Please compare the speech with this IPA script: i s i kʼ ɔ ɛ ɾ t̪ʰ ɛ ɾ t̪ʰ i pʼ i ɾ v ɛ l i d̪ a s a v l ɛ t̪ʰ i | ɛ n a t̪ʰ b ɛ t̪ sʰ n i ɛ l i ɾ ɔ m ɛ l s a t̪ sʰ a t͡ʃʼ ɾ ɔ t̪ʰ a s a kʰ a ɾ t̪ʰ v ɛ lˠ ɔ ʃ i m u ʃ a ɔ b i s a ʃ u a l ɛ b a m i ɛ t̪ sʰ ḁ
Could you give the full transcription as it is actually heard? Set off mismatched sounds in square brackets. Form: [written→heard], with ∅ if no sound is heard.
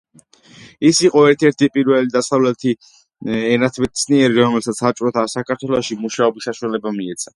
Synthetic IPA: i s i [kʼ→qʼ] ɔ ɛ ɾ t̪ʰ ɛ ɾ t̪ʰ i pʼ i ɾ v ɛ l i d̪ a s a v l ɛ t̪ʰ i | ɛ n a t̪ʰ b ɛ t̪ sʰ n i ɛ [l→ɾ] i ɾ ɔ m ɛ l s a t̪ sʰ a t͡ʃʼ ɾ ɔ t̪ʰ a s a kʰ a ɾ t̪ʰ [v→w] ɛ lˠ ɔ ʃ i m u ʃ a ɔ b i s a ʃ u a l ɛ b a m i ɛ t̪ sʰ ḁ